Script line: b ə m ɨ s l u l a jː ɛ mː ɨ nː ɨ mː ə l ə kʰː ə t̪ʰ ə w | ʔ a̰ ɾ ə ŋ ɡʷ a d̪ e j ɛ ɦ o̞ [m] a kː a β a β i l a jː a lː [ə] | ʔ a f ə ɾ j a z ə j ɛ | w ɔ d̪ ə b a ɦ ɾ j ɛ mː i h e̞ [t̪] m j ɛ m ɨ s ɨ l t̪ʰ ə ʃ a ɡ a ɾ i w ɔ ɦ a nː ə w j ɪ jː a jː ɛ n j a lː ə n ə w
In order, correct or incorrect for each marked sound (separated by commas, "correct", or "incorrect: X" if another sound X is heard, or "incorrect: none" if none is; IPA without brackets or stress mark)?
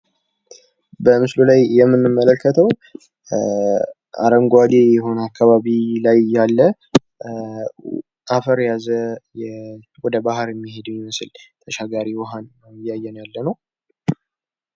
incorrect: n, correct, incorrect: d̪